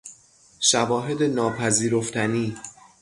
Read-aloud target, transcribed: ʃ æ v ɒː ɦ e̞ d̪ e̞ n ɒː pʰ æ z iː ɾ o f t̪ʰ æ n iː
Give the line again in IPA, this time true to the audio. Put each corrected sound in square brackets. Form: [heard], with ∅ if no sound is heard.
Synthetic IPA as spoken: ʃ æ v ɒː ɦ e̞ d̪ e̞ n ɒː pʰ æ z iː ɾ o f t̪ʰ æ n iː